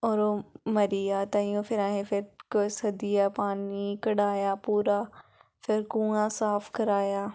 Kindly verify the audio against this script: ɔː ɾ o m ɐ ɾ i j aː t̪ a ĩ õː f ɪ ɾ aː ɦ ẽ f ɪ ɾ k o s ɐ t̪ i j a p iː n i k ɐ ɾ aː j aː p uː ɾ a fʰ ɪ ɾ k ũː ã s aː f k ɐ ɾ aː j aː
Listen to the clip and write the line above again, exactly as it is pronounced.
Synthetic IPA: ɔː ɾ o m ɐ ɾ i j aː t̪ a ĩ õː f ɪ ɾ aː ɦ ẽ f ɪ ɾ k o s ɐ d̪ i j a p aː n i k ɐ ɽ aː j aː p uː ɾ a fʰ ɪ ɾ k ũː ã s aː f k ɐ ɾ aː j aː